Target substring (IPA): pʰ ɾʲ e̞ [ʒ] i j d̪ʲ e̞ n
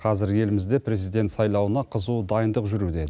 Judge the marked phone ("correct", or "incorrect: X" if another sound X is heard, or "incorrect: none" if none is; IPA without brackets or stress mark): incorrect: z